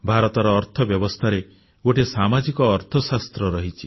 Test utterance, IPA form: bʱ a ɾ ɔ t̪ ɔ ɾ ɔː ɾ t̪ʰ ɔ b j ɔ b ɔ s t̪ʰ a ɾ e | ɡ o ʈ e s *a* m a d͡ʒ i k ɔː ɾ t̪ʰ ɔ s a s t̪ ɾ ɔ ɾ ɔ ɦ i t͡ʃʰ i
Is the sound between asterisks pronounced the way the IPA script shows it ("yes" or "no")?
yes